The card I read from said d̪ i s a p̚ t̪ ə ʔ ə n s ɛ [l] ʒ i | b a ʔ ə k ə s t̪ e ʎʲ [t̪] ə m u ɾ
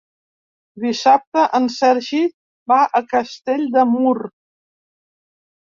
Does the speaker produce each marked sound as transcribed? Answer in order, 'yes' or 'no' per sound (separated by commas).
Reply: no, no